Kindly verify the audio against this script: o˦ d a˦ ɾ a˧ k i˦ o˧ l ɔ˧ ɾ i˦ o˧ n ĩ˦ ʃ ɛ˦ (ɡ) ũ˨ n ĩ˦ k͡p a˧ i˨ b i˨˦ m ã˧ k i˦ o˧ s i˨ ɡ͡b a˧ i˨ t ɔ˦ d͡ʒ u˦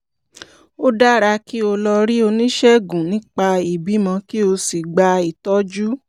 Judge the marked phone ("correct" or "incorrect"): correct